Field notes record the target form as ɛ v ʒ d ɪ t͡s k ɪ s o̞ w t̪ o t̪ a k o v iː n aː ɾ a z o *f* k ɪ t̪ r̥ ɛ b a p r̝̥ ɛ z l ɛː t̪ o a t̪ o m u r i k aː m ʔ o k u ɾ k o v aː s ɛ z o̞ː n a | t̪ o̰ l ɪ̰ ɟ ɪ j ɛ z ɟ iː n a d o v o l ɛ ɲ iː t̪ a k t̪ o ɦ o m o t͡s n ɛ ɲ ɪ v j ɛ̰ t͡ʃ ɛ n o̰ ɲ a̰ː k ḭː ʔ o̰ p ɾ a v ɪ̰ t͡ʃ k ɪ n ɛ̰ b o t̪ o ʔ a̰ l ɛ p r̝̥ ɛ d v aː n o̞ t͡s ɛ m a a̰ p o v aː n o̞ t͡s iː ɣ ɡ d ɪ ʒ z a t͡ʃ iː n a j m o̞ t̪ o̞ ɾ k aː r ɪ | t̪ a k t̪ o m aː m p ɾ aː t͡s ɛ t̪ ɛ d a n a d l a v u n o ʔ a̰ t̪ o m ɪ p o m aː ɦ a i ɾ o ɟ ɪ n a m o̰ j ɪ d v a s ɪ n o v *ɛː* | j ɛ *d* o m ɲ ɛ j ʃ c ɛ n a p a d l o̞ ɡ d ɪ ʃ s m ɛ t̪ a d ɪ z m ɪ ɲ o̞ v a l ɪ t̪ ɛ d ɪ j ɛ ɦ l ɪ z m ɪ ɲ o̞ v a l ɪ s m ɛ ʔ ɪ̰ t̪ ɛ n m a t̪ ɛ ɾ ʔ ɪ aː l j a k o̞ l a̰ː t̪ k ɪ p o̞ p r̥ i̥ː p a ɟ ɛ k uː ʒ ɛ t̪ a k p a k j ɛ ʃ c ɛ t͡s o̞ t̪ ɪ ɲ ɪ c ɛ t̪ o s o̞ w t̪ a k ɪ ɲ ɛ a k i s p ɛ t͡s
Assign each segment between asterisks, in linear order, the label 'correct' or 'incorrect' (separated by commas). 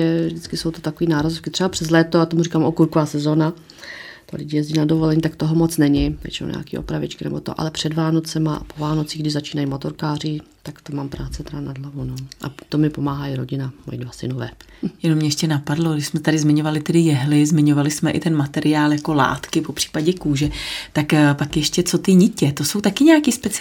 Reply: correct, correct, incorrect